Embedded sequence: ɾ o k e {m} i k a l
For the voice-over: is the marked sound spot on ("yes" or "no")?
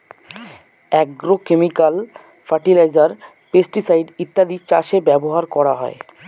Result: yes